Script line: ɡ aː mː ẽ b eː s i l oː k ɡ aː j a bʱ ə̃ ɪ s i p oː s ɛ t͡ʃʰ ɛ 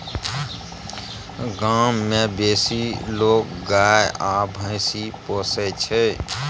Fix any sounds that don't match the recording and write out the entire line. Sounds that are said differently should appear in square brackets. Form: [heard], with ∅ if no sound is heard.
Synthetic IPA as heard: ɡ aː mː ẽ b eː s i l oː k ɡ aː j a bʱ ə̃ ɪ s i p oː s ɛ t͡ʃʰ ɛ